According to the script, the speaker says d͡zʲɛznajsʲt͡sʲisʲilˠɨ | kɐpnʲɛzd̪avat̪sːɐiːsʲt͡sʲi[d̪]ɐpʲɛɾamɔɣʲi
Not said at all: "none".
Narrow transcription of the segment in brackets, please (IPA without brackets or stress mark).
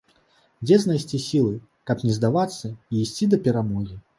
d̪